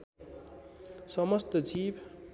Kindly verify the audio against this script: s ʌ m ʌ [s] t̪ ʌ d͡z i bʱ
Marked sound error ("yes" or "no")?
no